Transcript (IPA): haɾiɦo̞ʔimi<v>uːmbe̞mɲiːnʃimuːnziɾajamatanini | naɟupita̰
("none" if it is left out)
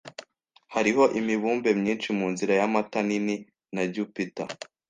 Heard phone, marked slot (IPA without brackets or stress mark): β